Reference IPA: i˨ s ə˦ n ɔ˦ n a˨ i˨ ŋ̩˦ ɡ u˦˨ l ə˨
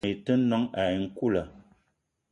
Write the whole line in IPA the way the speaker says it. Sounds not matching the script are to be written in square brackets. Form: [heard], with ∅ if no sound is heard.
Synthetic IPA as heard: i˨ [t] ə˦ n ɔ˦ [ŋ] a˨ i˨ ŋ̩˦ [k] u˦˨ l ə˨